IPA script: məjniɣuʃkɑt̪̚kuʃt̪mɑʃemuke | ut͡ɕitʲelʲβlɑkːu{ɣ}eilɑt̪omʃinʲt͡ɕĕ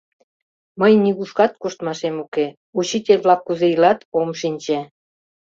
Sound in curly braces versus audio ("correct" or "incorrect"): incorrect